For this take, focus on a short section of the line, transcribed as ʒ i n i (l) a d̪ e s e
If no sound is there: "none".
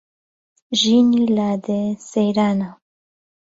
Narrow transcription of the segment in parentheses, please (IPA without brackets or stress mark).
l